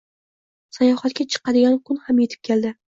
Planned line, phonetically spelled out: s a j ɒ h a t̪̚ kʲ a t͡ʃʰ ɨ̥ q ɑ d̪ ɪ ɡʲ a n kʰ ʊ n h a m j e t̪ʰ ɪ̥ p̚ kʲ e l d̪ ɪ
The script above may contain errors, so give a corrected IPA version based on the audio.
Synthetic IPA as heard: s a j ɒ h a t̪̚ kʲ a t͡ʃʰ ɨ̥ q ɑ d̪ ɪ ɡʲ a n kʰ ʊ n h a m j e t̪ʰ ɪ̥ p̚ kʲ e l d̪ ɪ